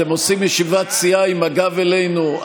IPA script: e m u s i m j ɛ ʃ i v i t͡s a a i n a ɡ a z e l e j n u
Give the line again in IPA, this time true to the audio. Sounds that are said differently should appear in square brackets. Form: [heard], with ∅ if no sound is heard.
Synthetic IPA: e m [o] s i m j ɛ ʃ i v [a] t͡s [i] a i [m] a ɡ a [v] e l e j n u

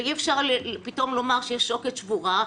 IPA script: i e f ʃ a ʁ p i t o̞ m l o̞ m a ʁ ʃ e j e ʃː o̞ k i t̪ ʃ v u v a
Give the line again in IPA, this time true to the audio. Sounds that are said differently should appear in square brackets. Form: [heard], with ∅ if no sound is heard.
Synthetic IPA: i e f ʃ a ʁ p i t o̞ m l o̞ m a ʁ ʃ e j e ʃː o̞ k [e] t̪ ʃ v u [ʁ] a

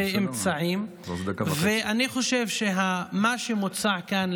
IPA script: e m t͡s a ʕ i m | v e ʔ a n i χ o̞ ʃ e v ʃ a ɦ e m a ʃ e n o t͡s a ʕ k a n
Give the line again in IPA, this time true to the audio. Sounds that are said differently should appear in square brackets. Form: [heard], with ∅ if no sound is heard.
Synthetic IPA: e m t͡s a ʕ i m | v e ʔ a n i χ o̞ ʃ e v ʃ [e] ɦ [a] m a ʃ e [m] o t͡s a ʕ k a n

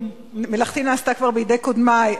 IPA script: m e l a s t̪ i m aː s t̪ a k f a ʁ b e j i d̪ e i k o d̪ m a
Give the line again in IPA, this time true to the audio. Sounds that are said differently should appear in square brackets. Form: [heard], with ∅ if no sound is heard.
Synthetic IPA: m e l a [χ] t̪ i [n] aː s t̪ a k [v] a ʁ b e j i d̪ e [j] k o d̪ m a

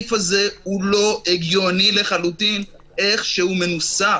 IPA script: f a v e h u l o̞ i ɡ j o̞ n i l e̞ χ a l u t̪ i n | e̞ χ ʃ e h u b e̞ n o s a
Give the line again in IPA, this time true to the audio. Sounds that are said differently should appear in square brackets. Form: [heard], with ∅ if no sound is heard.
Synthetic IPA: f a [z] e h u l o̞ [e] ɡ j o̞ n i l e̞ χ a l u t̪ i n | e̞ χ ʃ e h u [m] e̞ n [u] s a

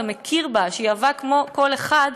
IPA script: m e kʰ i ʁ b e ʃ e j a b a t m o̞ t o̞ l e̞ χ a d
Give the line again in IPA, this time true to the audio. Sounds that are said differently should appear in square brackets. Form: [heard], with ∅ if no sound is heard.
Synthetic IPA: m e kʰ i ʁ b [a] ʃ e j a [v] a [k] m o̞ [k] o̞ l e̞ χ a d

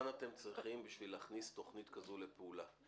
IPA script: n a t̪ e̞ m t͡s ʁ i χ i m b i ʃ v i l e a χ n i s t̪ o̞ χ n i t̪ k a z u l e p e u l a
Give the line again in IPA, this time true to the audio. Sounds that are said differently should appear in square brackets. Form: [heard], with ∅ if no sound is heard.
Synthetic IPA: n a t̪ e̞ m t͡s ʁ i χ i m b i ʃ v i l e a χ n i s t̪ o̞ χ n i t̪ k a z u l e p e u l a

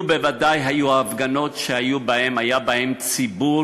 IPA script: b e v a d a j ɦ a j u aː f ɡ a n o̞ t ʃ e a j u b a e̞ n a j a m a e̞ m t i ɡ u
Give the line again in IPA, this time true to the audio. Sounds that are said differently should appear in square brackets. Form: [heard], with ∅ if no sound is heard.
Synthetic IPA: b e v a d a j ɦ a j u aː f ɡ a n o̞ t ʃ e a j u b a e̞ [m] a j a [b] a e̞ m [t͡s] i [b] u

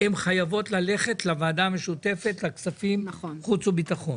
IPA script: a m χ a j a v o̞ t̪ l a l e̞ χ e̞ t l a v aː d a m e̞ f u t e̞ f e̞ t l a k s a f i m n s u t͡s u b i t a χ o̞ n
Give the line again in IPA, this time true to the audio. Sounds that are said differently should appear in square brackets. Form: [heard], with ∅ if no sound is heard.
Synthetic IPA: [e] m χ a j a v o̞ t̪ l a l e̞ χ e̞ t l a v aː d a m e̞ [ʃ] u t e̞ f e̞ t l a k s a f i m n [χ] u t͡s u b i t a χ o̞ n

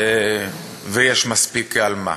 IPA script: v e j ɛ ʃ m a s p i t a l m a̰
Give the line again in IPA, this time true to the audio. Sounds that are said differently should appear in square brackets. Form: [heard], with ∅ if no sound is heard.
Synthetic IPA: v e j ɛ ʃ m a s p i [k] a l m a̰

